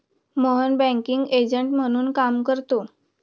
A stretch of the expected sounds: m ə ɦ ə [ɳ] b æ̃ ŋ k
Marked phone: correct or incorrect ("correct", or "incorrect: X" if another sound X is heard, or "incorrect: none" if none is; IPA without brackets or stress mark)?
incorrect: n